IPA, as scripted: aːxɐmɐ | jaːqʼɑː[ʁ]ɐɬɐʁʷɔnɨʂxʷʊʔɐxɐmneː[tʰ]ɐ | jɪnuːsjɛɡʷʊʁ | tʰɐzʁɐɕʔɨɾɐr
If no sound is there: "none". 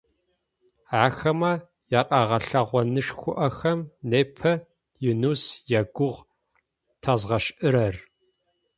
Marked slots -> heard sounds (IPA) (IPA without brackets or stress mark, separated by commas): ʁ, pʰ